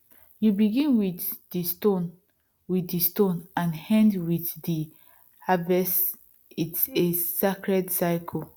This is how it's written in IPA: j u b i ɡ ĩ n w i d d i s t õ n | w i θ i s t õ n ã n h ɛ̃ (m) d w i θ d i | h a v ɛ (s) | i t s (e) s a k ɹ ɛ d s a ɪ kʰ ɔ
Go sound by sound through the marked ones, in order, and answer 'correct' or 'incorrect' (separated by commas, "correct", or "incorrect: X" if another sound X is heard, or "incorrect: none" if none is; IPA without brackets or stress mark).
incorrect: n, correct, correct